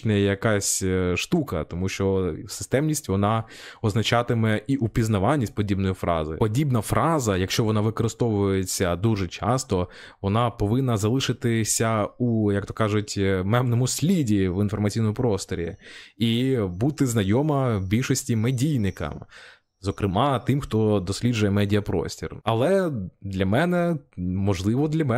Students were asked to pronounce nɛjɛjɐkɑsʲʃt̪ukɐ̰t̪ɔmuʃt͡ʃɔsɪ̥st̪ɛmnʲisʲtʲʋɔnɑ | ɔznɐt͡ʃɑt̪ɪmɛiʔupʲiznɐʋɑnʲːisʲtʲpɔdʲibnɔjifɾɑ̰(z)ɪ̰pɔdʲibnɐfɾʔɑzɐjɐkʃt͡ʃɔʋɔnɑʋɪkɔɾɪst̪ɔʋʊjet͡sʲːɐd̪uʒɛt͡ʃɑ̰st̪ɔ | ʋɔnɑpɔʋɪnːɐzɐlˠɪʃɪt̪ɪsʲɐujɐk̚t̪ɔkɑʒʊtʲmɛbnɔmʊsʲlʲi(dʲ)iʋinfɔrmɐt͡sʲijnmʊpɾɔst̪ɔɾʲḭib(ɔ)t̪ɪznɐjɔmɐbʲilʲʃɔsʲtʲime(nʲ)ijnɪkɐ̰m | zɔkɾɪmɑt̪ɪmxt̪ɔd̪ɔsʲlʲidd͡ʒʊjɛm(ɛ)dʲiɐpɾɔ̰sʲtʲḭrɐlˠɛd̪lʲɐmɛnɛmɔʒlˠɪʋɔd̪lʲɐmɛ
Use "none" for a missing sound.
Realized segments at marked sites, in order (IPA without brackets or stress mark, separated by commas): z, dʲ, u, dʲ, ɛ